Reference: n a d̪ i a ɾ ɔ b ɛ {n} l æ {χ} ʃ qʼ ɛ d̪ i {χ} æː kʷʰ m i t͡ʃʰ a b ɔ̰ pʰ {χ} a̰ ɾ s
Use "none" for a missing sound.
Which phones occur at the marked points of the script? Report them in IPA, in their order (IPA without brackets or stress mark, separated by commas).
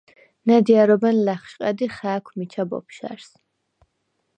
n, χ, χ, ʃ